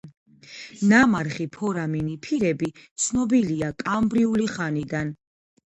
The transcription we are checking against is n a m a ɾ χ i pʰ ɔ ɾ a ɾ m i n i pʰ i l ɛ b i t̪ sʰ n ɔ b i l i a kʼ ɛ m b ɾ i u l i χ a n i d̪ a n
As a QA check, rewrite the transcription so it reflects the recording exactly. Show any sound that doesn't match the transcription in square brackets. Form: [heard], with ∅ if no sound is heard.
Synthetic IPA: n a m a ɾ χ i pʰ ɔ ɾ a [∅] m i n i pʰ i [ɾ] ɛ b i t̪ sʰ n ɔ b i l i a kʼ [a] m b ɾ i u l i χ a n i d̪ a n